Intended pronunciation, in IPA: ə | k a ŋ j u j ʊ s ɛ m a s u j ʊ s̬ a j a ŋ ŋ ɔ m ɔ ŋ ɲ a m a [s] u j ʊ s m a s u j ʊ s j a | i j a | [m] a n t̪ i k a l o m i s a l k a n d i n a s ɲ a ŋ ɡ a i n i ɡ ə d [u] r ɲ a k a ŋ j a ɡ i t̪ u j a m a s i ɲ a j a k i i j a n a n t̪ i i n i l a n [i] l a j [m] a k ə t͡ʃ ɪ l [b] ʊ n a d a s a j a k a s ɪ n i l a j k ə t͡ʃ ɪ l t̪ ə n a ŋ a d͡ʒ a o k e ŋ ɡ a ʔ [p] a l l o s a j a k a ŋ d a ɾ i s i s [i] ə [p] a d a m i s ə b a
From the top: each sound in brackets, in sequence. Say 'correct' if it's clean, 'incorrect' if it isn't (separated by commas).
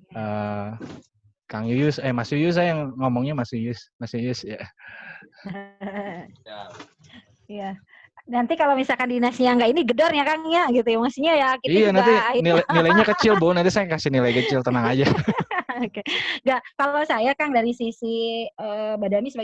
correct, incorrect, incorrect, correct, incorrect, correct, incorrect, correct, incorrect